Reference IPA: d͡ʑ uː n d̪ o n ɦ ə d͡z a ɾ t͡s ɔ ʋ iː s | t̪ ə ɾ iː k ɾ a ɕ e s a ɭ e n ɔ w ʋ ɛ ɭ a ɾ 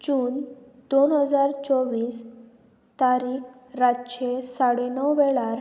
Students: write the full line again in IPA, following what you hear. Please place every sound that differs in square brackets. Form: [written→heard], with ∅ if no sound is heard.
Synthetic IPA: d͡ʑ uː n d̪ o n ɦ ə d͡z a ɾ t͡s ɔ ʋ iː s | t̪ [ə→a] ɾ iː k ɾ a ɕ e s a [ɭ→ɽ] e n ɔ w ʋ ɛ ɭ a ɾ